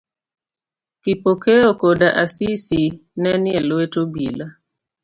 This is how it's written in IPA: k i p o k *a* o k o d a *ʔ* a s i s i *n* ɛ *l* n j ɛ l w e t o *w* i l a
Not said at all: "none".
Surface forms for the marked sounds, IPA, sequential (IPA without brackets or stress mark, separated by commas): e, ʔ, n, none, b